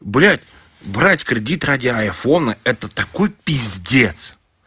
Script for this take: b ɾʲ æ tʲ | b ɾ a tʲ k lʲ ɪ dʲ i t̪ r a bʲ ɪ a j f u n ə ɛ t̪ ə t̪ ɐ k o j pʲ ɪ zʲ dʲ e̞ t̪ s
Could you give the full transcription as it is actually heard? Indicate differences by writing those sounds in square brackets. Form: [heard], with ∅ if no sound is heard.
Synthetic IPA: b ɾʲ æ tʲ | b ɾ a tʲ k [ɾʲ] ɪ dʲ i t̪ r a [dʲ] ɪ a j f [o] n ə ɛ t̪ ə t̪ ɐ k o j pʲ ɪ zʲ dʲ e̞ t̪ s